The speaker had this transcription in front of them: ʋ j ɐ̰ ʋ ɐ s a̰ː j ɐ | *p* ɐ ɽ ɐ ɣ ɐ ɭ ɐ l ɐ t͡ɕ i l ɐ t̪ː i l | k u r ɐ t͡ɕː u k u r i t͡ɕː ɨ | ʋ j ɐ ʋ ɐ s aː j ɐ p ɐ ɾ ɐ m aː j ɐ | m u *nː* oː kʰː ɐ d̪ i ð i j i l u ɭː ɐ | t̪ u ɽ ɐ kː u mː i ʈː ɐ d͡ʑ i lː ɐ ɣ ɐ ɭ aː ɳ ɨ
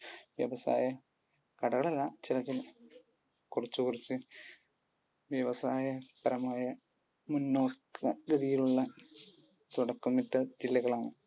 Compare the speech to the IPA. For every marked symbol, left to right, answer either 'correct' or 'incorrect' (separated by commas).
incorrect, correct